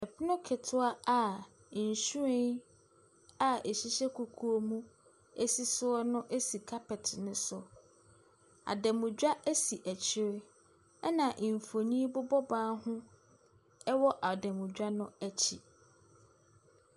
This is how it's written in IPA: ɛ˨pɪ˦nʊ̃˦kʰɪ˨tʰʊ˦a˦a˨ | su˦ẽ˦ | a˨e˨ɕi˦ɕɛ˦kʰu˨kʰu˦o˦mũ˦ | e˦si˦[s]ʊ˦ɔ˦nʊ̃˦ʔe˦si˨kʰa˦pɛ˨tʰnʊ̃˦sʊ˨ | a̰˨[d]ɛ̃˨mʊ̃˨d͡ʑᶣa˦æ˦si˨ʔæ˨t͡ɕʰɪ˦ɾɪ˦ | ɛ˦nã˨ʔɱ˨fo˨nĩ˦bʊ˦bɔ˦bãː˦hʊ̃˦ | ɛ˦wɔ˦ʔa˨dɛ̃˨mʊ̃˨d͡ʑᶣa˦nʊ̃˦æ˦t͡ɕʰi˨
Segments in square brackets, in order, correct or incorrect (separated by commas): correct, correct